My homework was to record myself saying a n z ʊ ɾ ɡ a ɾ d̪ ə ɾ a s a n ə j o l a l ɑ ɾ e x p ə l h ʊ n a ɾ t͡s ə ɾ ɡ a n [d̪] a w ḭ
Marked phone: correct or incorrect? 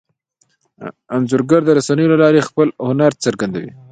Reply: correct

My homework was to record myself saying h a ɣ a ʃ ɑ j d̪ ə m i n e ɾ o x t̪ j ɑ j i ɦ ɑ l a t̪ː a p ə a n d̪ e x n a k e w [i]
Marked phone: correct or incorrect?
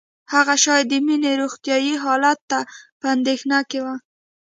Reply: incorrect: a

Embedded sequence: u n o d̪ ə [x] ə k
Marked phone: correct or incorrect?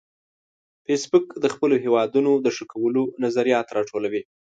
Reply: incorrect: ʂ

